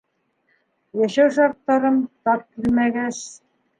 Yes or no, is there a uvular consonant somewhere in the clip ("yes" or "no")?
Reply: no